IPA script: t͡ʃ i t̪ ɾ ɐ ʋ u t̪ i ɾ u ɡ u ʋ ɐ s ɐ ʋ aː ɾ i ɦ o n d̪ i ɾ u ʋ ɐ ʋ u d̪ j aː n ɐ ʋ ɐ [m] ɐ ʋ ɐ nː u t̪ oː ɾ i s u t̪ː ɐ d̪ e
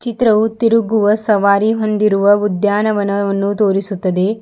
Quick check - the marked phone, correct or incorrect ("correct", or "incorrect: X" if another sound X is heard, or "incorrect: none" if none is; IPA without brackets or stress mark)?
incorrect: n